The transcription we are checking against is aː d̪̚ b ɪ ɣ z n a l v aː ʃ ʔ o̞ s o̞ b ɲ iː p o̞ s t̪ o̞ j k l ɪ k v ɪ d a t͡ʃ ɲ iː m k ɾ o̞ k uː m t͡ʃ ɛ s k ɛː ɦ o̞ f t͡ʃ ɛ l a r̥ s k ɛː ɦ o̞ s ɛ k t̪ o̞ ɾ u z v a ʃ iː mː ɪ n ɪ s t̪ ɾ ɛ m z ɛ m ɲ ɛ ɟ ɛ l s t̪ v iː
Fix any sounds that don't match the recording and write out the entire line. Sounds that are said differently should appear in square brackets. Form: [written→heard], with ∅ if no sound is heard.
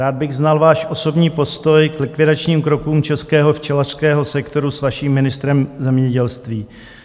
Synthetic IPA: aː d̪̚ b ɪ ɣ z n a l v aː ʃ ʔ o̞ s o̞ b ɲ iː p o̞ s t̪ o̞ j k l ɪ k v ɪ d a t͡ʃ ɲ iː m k ɾ o̞ k uː m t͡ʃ ɛ s k ɛː ɦ o̞ f t͡ʃ ɛ l a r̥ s k ɛː ɦ o̞ s ɛ k t̪ o̞ ɾ u [z→s] v a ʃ iː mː ɪ n ɪ s t̪ ɾ ɛ m z ɛ m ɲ ɛ ɟ ɛ l s t̪ v iː